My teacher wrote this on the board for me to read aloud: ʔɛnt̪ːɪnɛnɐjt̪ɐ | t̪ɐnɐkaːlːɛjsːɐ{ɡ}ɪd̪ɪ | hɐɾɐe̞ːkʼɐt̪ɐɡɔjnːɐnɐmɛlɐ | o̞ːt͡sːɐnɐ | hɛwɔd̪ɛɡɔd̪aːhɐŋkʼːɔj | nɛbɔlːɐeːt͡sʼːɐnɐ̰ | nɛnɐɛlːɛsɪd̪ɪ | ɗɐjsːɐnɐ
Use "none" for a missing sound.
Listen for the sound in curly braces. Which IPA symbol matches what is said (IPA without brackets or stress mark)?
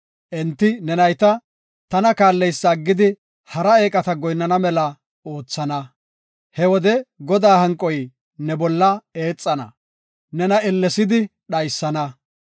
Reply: ɡː